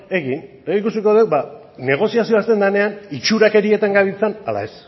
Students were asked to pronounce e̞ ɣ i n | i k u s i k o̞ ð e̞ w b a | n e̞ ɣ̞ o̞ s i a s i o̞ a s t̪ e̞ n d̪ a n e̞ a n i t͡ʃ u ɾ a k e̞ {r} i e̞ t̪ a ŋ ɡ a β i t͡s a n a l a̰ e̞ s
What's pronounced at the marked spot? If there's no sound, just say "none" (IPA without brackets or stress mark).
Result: ɾ